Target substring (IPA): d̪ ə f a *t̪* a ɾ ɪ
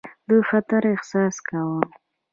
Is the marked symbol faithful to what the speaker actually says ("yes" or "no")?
yes